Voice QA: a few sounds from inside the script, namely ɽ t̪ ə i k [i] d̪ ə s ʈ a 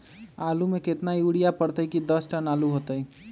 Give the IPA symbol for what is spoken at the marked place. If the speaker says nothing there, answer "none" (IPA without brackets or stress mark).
i